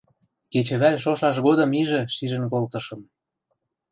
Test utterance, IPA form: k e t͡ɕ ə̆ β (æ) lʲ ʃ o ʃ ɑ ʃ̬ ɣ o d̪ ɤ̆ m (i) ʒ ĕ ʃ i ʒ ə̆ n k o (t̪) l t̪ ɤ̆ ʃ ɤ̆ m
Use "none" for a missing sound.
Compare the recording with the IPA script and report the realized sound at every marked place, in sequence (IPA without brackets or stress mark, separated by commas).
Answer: æ, i, none